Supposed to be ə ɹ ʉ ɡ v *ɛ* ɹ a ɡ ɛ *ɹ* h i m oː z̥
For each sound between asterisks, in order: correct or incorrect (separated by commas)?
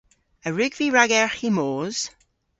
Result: incorrect, correct